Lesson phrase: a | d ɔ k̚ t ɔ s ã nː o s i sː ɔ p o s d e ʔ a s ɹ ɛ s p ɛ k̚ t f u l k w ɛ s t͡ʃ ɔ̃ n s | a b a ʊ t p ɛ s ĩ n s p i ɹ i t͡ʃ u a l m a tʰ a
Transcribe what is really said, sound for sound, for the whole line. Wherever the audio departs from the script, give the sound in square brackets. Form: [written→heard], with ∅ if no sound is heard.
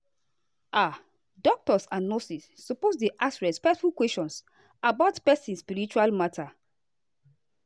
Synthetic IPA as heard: a | d ɔ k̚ t ɔ s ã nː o s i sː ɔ p o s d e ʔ a s ɹ ɛ s p ɛ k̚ t f u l k w ɛ s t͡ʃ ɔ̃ n s | a b a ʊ t p ɛ s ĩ n s p i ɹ i t͡ʃ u a l m a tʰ a